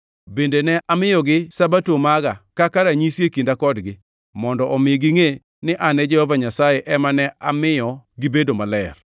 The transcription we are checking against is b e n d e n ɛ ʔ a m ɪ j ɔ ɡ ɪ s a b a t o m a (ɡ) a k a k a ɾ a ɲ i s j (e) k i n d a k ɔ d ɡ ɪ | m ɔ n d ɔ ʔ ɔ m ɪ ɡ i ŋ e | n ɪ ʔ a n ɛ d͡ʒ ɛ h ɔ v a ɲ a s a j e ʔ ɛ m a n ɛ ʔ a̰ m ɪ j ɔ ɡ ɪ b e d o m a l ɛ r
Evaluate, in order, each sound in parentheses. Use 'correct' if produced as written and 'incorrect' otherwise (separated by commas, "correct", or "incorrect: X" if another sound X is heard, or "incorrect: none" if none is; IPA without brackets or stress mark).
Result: correct, correct